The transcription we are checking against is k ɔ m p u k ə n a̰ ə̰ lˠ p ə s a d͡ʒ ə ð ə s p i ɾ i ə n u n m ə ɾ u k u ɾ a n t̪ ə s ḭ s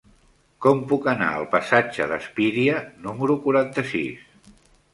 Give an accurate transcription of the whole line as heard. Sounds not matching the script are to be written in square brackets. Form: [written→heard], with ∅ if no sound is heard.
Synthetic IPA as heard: k ɔ m p u k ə n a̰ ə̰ lˠ p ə s a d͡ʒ ə ð ə s p i ɾ i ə n u [n→∅] m ə ɾ u k u ɾ a n t̪ ə s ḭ s